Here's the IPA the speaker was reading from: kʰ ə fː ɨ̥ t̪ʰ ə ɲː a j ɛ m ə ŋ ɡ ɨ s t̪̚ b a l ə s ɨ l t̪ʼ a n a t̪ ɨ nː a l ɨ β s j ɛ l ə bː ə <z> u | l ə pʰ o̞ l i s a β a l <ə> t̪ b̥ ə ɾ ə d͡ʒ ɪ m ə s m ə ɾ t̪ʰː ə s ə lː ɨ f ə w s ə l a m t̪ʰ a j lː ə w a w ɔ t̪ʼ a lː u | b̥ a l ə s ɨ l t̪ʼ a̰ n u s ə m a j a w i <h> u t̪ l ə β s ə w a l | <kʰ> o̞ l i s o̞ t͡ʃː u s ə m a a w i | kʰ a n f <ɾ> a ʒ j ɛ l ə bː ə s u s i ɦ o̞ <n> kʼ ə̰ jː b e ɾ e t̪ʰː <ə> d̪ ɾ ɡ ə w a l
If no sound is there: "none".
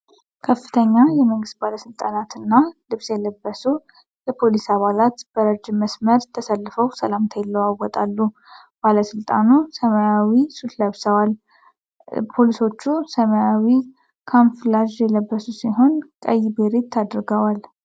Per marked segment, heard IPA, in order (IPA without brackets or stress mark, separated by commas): s, a, s, pʰ, l, n, a